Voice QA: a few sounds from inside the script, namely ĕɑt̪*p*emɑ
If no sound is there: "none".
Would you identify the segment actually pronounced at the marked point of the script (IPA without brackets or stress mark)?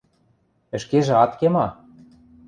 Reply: k